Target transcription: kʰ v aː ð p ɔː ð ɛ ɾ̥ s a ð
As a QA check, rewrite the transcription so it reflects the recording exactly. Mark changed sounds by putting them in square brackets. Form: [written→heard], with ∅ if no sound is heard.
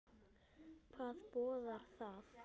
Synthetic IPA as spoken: kʰ v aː ð p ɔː ð [ɛ→a] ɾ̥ [s→θ] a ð